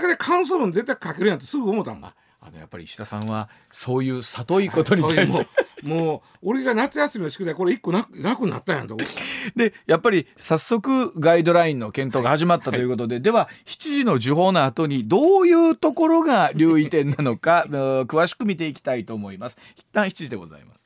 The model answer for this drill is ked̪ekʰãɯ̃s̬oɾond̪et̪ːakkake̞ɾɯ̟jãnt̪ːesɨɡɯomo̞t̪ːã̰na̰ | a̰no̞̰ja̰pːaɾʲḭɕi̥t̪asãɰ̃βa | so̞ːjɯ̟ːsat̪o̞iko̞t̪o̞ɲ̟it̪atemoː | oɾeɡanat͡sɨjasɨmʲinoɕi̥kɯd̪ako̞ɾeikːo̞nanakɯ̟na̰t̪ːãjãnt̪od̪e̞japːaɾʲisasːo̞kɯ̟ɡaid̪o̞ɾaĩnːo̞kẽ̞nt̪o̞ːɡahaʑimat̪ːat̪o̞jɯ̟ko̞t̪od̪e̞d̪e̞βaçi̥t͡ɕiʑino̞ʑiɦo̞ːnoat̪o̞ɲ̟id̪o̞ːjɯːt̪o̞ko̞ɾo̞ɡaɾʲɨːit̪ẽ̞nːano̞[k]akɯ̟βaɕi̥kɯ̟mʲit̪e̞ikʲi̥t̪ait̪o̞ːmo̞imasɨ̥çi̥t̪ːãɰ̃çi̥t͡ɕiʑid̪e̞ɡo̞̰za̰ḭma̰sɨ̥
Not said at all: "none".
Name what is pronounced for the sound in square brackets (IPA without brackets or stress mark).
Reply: k